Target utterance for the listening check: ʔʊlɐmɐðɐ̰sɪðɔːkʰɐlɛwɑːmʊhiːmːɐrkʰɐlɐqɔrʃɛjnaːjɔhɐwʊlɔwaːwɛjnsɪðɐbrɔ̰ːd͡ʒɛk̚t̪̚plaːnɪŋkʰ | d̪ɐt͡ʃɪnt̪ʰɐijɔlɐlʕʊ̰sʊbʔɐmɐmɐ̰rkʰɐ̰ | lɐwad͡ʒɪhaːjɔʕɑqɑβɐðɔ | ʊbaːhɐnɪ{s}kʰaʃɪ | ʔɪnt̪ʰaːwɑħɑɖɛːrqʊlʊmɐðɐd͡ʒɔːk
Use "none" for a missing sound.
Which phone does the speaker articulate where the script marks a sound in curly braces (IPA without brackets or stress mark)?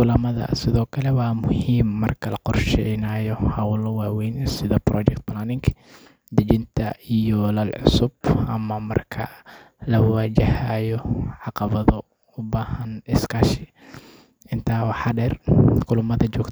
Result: s